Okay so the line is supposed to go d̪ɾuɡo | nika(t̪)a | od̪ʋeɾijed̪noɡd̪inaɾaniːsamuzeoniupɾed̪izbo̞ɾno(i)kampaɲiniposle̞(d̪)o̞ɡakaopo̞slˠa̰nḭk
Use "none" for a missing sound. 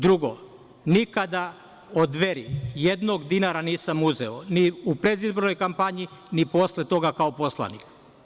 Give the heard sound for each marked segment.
d̪, j, t̪

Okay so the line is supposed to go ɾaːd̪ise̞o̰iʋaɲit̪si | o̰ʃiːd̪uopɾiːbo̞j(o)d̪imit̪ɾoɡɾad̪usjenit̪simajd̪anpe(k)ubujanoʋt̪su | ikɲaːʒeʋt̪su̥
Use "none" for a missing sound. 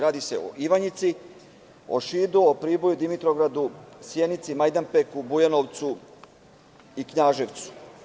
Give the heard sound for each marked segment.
u, k

